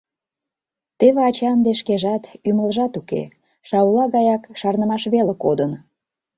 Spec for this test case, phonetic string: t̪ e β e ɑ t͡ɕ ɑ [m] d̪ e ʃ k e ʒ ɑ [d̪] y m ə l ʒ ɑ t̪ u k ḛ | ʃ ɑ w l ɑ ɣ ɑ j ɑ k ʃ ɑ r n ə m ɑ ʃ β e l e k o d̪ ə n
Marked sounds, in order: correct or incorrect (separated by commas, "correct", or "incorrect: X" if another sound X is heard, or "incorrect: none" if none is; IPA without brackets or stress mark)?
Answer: incorrect: n, incorrect: t̪